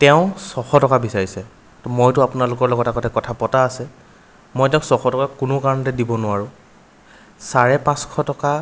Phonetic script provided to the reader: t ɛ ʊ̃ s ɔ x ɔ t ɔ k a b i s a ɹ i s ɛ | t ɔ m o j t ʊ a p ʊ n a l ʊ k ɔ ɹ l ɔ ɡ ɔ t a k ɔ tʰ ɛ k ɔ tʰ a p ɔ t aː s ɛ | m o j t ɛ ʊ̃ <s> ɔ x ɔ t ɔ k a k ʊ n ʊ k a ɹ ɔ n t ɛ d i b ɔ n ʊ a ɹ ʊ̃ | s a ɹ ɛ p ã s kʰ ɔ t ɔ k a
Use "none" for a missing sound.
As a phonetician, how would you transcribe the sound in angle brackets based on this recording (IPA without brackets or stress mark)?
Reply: s